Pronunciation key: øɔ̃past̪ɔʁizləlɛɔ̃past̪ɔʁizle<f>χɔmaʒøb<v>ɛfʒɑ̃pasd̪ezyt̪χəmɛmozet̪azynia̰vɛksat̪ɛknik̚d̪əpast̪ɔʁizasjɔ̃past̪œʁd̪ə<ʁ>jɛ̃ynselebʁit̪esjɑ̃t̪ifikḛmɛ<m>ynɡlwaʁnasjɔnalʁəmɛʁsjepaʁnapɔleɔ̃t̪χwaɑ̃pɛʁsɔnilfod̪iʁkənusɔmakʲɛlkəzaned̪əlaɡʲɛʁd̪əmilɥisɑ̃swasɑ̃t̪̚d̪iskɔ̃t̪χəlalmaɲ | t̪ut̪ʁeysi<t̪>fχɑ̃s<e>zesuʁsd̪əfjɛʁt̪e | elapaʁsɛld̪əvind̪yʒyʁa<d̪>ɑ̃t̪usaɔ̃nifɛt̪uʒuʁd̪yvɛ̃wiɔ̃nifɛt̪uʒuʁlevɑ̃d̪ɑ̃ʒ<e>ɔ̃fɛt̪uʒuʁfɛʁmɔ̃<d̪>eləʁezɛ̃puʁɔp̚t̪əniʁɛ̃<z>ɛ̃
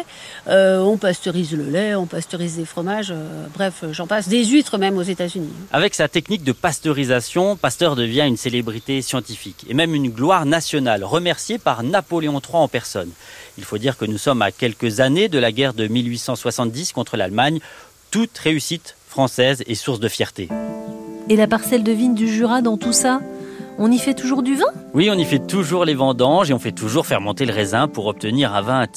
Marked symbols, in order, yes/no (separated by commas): yes, no, no, yes, yes, no, yes, yes, no, no